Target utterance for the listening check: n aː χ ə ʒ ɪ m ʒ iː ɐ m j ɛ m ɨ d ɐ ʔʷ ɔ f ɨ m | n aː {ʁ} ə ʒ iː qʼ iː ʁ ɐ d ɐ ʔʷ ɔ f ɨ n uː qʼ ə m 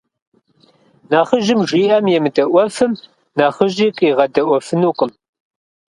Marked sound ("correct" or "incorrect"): incorrect